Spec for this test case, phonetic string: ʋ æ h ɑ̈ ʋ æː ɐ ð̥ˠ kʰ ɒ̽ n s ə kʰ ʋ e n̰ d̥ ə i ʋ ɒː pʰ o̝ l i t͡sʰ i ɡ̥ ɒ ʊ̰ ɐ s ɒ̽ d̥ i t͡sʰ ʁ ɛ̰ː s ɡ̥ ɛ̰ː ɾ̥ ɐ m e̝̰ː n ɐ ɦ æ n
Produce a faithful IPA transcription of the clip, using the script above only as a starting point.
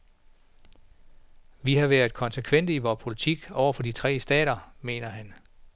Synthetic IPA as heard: ʋ i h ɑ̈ ʋ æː ɐ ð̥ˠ kʰ ɒ̽ n s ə kʰ ʋ e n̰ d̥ ə i ʋ ɒː pʰ o̝ l i t͡sʰ i ɡ̥ ɒ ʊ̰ ɐ f ɒ̽ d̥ i t͡sʰ ʁ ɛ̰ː s d̥ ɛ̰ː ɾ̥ ɐ m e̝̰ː n ɐ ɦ æ n